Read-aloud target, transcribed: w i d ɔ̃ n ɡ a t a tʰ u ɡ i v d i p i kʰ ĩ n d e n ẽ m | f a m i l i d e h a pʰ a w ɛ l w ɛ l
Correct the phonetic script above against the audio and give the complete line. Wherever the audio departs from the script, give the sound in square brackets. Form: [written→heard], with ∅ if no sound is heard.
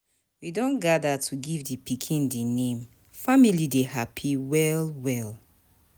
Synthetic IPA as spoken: w i d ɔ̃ n ɡ a [t→d] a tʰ u ɡ i v d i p i kʰ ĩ n d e n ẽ m | f a m i l i d e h a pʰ [a→i] w ɛ l w ɛ l